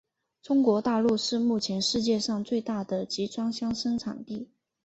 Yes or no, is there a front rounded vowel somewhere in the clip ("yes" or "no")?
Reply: no